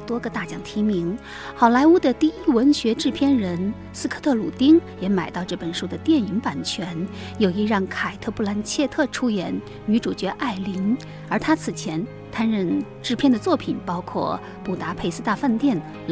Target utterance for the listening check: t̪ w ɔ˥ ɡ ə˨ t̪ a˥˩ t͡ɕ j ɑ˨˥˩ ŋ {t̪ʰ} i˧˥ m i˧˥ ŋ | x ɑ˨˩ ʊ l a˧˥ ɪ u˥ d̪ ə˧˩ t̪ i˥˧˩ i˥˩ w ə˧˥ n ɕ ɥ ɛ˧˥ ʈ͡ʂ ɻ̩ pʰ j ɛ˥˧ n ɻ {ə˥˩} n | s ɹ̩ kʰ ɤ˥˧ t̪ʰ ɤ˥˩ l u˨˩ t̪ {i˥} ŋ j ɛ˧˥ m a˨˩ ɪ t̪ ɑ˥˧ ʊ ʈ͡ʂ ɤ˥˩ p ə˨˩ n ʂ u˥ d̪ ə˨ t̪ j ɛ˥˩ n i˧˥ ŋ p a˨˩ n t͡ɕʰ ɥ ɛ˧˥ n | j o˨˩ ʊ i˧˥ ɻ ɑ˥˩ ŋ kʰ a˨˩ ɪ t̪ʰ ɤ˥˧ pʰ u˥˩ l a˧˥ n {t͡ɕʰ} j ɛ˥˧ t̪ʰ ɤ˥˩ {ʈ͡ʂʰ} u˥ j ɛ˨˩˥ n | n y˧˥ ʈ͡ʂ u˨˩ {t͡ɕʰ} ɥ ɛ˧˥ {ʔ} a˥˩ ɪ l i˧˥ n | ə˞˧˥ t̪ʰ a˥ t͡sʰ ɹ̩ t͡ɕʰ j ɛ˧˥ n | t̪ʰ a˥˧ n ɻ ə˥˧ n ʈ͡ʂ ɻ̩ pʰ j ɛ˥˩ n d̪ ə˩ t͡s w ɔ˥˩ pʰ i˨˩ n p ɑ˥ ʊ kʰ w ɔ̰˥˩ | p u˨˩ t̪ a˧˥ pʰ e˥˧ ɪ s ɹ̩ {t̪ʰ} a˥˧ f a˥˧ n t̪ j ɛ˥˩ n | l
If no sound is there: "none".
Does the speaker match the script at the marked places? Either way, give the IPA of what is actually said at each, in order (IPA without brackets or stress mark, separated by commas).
t̪ʰ, ə˧˥, i˥, t͡ɕʰ, ʈ͡ʂʰ, t͡ɕ, ʔ, t̪